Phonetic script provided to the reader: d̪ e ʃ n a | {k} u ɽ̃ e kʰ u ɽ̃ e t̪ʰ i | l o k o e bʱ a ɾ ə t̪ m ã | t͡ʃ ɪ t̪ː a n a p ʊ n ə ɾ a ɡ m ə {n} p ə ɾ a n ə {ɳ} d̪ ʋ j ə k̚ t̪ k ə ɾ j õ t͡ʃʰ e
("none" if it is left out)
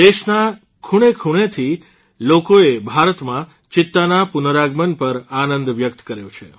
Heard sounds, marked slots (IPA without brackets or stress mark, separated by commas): kʰ, n, n